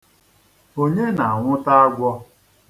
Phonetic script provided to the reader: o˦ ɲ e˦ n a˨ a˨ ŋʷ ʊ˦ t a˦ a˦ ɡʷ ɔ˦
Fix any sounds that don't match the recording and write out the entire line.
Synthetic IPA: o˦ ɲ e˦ n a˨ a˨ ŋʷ ʊ˦ t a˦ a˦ ɡʷ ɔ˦

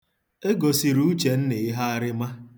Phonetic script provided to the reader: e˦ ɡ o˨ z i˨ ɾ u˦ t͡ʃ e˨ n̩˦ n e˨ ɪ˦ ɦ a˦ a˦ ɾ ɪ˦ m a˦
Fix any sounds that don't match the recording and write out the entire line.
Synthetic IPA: e˦ ɡ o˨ s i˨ ɾ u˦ t͡ʃ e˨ n̩˦ n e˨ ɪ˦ ɦ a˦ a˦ ɾ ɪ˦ m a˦

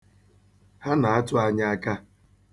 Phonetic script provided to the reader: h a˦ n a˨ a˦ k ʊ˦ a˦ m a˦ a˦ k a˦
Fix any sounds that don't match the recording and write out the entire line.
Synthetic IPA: h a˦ n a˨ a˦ t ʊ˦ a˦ ɲ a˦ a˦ k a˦

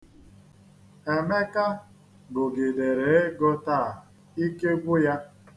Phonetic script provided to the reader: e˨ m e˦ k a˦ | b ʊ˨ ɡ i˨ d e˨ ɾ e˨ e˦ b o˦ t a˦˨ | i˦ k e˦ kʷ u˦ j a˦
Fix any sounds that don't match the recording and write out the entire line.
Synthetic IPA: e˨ m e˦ k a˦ | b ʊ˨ ɡ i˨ d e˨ ɾ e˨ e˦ ɡ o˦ t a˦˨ | i˦ k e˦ ɡʷ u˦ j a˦

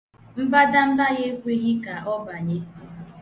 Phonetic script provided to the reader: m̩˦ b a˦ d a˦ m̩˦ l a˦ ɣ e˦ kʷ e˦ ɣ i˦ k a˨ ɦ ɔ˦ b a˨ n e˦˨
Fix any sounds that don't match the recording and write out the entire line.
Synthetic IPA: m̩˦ b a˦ d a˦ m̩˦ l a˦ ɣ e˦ kʷ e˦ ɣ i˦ k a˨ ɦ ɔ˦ b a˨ ɲ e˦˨

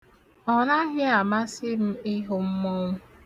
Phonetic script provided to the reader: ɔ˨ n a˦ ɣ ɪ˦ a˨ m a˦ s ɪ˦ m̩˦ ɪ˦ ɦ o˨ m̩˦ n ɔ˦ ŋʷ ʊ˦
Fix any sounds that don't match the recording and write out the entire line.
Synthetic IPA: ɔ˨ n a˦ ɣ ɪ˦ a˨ m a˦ s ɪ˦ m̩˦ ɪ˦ ɦ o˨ m̩˦ m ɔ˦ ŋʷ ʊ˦

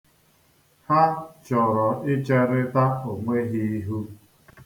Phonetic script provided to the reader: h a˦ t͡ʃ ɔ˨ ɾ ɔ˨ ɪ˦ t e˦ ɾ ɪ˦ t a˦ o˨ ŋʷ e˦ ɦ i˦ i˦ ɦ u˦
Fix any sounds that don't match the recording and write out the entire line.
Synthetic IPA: h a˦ t͡ʃ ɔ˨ ɾ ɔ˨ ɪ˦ t͡ʃ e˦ ɾ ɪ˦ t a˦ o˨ ŋʷ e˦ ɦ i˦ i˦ ɦ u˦

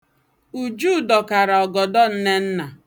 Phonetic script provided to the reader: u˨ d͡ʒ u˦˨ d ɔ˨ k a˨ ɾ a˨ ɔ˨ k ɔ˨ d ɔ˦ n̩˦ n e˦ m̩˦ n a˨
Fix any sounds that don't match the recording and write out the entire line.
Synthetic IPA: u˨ d͡ʒ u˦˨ d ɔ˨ k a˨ ɾ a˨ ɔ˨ ɡ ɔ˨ d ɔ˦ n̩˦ n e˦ n̩˦ n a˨

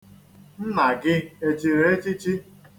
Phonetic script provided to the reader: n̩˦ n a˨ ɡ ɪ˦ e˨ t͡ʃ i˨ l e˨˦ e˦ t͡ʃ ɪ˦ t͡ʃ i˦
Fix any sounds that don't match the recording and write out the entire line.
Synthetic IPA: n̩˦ n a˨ ɡ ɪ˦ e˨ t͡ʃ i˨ ɾ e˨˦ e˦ t͡ʃ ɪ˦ t͡ʃ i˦

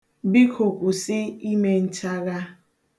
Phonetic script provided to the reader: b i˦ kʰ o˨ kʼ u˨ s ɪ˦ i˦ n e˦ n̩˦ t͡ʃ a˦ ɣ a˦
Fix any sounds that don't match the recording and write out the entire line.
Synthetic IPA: b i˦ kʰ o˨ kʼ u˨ s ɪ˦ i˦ m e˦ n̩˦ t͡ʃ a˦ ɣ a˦

